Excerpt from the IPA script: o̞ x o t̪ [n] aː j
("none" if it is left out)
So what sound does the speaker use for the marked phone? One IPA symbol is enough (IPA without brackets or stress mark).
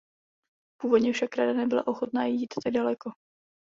n